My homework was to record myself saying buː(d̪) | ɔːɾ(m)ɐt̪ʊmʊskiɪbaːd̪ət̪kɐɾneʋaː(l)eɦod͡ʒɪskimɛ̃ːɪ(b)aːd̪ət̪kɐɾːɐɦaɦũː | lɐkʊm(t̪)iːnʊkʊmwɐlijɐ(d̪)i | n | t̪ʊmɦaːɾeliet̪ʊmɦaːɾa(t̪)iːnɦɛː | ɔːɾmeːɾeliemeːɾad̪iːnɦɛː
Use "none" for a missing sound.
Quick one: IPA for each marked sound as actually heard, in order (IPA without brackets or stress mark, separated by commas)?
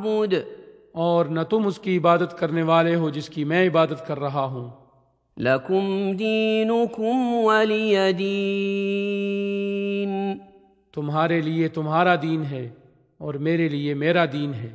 d̪, n, l, b, d̪, d̪, d̪